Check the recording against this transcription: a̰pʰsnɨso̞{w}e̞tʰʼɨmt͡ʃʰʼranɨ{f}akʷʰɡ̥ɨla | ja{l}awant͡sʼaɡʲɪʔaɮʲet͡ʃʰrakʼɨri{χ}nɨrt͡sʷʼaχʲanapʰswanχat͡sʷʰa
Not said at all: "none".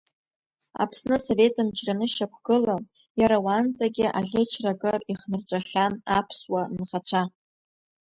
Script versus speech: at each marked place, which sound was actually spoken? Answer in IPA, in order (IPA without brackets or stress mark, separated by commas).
v, ʃ, ɾ, χ